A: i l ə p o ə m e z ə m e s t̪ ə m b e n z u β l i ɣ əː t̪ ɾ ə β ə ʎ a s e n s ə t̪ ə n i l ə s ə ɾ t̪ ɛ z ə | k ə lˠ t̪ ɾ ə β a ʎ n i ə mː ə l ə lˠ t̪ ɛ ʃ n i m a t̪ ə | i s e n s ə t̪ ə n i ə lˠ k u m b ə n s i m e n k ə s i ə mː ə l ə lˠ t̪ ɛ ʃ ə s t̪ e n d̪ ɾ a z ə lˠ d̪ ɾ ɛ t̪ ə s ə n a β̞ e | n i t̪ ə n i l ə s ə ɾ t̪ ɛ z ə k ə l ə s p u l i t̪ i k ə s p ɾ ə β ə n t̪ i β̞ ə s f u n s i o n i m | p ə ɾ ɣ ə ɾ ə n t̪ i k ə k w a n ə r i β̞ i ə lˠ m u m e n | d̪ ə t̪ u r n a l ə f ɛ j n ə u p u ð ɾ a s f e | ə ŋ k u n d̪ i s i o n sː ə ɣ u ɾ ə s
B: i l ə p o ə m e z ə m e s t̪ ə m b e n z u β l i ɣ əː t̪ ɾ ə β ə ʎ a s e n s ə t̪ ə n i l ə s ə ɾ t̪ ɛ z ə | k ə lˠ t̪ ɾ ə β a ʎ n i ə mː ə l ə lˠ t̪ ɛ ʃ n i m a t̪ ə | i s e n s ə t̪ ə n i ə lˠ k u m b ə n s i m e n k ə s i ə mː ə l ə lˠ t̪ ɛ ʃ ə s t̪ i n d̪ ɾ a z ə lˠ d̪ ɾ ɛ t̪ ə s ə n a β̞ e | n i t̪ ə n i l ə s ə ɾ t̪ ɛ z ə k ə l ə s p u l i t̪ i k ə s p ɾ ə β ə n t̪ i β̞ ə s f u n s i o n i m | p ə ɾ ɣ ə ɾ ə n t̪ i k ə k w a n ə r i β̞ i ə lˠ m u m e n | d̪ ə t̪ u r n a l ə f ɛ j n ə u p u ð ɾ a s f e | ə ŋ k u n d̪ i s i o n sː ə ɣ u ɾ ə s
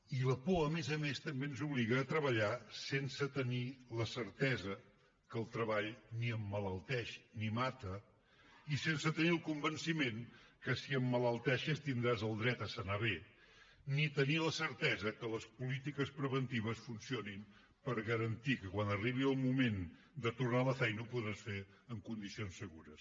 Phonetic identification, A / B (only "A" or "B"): B